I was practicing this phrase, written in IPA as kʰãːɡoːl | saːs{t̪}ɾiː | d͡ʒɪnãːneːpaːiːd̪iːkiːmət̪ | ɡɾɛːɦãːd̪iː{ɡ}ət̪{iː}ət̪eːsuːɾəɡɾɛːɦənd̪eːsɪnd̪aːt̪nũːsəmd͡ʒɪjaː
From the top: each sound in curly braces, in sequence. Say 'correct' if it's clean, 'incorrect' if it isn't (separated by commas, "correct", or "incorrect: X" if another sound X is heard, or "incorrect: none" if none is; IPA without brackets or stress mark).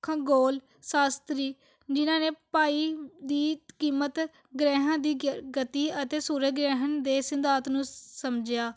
correct, correct, correct